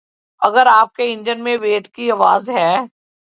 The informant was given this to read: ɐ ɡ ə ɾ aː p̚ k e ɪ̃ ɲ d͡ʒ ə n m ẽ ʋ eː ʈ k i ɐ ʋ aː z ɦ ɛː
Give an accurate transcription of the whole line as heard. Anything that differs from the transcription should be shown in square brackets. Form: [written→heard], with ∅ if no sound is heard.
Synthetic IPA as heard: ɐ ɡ ə ɾ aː p̚ k e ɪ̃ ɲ d͡ʒ ə n m ẽ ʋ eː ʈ k i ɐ ʋ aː z ɦ ɛː

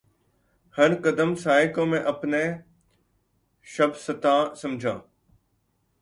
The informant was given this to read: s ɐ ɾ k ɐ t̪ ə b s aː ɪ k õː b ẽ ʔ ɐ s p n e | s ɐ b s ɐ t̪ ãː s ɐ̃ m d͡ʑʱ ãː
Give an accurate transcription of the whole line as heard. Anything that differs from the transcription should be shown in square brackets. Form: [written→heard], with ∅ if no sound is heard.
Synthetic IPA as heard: [s→h] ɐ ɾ k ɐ [t̪→d̪] ə [b→m] s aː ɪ k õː [b→m] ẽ ʔ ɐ [s→∅] p n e | [s→ʃ] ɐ b s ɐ t̪ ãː s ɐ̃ m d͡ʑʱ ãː

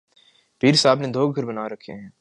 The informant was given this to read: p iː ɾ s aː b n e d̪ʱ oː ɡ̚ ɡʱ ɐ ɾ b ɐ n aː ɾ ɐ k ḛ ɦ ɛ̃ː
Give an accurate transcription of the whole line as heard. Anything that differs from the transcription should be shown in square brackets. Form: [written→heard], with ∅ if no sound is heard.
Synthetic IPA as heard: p iː ɾ s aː b n e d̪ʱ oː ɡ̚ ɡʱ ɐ ɾ b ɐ n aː ɾ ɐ [k→kʰ] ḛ ɦ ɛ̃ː

